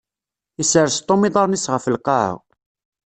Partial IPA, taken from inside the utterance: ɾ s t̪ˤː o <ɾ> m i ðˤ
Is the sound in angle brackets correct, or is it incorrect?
incorrect